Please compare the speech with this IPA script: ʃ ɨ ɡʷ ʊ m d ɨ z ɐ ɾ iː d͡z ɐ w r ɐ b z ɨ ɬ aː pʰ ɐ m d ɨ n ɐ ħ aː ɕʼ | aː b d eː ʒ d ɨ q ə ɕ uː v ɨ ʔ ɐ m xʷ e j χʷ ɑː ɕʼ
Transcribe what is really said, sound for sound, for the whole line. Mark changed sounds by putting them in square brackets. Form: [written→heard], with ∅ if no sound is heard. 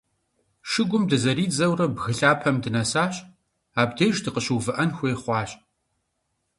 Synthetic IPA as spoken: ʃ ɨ ɡʷ ʊ m d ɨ z ɐ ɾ iː d͡z ɐ w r ɐ b [z→ɣ] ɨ ɬ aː pʰ ɐ m d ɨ n ɐ [ħ→s] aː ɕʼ | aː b d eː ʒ d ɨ q ə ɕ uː v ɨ ʔ ɐ [m→n] xʷ e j χʷ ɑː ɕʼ